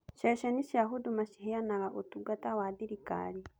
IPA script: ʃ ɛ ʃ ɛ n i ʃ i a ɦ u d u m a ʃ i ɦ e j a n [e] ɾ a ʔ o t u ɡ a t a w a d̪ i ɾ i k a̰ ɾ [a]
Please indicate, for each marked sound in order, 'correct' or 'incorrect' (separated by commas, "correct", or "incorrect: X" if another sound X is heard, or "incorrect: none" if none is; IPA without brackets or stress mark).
incorrect: a, incorrect: i